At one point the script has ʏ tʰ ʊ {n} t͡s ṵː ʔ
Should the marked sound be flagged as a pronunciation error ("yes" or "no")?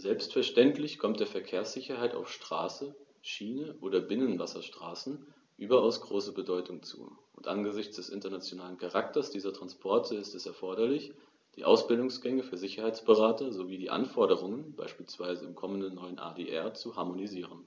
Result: yes